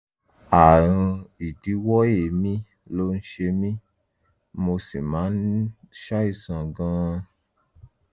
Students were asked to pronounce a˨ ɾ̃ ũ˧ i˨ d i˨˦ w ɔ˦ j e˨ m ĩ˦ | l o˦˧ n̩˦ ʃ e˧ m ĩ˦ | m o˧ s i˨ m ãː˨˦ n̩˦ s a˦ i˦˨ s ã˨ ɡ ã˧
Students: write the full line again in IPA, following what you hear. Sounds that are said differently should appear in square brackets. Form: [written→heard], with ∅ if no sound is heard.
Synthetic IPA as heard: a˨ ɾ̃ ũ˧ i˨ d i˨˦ w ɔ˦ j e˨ m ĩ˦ | l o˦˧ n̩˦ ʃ e˧ m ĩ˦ | m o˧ s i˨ m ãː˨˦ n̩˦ [s→ʃ] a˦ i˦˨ s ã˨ ɡ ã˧

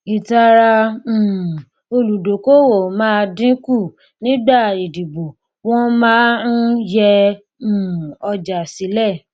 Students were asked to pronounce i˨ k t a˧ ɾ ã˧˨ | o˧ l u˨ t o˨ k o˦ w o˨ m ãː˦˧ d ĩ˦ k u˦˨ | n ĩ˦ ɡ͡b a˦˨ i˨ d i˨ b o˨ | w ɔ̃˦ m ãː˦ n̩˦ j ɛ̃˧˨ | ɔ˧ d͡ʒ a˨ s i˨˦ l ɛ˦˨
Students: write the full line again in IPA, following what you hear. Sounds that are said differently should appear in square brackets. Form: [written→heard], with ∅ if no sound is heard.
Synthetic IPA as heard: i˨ [k→∅] t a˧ ɾ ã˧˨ | o˧ l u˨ [t→d] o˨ k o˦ w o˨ m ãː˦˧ d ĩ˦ k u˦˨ | n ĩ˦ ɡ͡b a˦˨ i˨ d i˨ b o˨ | w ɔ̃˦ m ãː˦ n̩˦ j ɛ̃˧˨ | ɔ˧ d͡ʒ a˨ s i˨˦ l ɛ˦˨

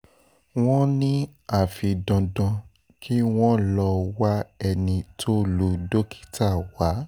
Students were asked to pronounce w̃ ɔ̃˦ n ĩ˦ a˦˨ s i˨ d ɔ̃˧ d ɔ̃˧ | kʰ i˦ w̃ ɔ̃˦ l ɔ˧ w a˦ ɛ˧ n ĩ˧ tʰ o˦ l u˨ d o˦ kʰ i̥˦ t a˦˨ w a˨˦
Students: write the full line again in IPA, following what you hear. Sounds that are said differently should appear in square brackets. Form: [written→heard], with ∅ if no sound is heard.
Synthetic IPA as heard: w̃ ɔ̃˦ n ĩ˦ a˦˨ [s→f] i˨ d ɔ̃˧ d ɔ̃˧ | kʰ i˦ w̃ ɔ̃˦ l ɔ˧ w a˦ ɛ˧ n ĩ˧ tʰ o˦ l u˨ d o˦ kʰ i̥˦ t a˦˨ w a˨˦

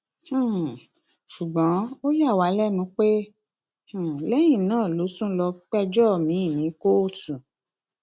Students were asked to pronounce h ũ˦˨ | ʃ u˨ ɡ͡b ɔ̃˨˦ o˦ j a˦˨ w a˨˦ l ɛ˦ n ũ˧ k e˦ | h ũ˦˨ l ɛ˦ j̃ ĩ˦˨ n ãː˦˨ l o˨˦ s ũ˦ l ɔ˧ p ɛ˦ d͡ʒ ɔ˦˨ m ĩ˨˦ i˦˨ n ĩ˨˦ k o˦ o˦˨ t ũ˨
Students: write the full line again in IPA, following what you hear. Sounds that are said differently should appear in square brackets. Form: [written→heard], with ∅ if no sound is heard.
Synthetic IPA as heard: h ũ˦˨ | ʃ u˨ ɡ͡b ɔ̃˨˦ o˦ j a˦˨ w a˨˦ l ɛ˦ n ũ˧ [k→k͡p] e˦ | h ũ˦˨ l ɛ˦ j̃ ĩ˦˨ n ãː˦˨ l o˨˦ s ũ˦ l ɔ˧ [p→k͡p] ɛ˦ d͡ʒ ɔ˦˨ m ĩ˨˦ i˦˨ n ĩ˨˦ k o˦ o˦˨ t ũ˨

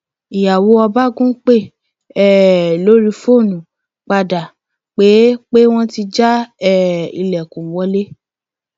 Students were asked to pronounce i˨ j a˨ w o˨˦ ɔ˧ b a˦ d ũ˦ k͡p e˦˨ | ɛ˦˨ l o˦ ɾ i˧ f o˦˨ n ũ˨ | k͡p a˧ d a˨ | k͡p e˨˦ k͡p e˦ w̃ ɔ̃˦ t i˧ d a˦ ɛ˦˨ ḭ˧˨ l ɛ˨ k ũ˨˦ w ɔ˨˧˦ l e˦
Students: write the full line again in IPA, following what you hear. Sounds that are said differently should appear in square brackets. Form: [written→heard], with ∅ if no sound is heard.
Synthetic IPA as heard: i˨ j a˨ w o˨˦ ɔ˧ b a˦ [d→ɡ] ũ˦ k͡p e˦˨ | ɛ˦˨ l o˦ ɾ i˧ f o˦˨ n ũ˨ | k͡p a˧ d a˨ | k͡p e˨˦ k͡p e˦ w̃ ɔ̃˦ t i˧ [d→d͡ʒ] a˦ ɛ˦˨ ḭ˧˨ l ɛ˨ k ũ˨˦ w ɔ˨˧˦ l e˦

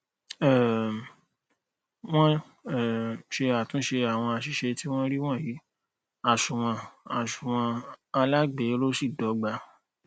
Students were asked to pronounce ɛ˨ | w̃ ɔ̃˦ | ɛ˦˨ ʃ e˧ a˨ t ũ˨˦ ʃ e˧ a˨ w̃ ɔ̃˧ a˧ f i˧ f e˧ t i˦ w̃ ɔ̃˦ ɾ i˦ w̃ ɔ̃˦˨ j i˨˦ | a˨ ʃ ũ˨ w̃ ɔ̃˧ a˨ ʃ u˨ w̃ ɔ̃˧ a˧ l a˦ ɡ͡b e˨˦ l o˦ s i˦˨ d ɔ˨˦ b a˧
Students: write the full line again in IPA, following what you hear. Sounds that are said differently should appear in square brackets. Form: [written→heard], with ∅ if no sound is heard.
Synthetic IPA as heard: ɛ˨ | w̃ ɔ̃˦ | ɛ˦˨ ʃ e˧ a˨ t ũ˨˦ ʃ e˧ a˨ w̃ ɔ̃˧ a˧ [f→ʃ] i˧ [f→ʃ] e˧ t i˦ w̃ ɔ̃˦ ɾ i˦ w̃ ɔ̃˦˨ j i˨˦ | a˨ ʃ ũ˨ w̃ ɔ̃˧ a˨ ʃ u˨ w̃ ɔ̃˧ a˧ l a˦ ɡ͡b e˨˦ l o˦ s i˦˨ d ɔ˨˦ [b→ɡ͡b] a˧

